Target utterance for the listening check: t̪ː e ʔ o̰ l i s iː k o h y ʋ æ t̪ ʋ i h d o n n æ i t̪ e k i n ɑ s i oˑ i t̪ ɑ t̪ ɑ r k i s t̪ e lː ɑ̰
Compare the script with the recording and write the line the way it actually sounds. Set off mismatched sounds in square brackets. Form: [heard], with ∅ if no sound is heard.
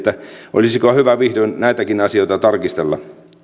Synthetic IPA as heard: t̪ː [æ] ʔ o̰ l i s [i] k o h y ʋ æ [∅] ʋ i h d o n n æ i t̪ [æ] k i n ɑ s i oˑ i t̪ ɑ t̪ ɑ r k i s t̪ e lː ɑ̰